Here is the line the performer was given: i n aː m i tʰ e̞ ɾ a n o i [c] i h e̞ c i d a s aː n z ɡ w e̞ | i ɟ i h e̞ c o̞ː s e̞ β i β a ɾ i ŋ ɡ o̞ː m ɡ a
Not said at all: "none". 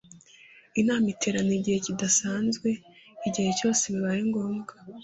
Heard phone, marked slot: ɟ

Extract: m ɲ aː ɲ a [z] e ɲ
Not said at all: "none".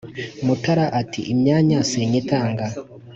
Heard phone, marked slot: s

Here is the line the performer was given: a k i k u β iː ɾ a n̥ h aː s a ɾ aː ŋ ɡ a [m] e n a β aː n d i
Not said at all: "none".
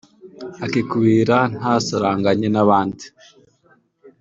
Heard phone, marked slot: ɲ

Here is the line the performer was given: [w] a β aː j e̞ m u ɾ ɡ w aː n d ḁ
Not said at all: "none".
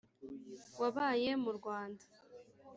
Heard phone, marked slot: w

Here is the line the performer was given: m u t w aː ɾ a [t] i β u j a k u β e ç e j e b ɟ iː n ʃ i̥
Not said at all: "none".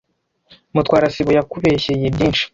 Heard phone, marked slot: s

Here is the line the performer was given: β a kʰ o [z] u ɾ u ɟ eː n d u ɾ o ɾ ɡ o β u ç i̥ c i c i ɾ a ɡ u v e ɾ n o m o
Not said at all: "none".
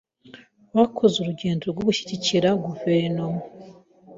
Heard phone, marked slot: z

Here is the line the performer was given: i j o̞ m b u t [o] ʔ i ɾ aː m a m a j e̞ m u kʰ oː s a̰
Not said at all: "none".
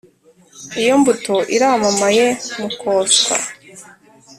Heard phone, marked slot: o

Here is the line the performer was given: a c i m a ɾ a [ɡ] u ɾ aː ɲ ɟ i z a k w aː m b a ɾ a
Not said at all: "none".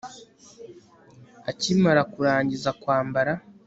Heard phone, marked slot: k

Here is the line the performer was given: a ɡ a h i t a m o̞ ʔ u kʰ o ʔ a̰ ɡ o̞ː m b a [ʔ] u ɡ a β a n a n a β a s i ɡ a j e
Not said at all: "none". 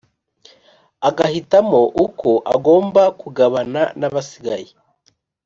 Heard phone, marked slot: k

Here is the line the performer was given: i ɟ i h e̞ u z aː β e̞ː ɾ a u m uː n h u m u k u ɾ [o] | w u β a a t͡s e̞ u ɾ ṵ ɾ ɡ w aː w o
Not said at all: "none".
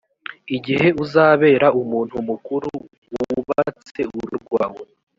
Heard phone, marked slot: u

